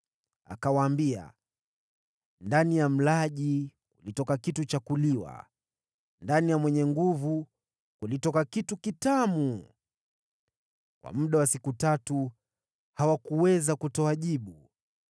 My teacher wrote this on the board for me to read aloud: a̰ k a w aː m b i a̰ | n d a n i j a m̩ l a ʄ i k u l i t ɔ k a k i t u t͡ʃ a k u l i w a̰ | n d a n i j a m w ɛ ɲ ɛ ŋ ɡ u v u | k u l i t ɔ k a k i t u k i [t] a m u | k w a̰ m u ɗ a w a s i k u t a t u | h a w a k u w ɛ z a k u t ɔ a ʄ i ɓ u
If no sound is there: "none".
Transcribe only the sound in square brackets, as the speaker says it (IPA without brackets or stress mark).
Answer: t